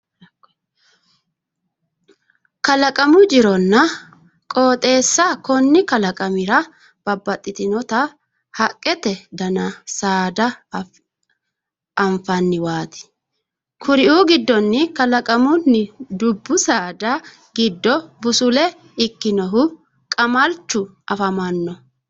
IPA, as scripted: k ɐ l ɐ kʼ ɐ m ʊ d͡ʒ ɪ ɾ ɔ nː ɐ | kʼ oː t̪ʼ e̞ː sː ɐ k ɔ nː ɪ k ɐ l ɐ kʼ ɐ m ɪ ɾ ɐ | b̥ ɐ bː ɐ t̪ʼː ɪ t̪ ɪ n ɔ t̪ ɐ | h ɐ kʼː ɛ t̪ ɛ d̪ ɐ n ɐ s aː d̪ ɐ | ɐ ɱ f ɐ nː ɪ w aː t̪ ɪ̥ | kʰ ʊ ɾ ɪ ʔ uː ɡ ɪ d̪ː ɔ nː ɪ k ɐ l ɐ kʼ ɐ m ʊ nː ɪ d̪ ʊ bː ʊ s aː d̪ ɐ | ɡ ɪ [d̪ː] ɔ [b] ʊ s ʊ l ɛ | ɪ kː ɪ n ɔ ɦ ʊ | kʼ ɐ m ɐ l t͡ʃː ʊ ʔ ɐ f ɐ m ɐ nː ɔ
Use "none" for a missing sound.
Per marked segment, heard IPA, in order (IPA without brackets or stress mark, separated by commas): d̪ː, b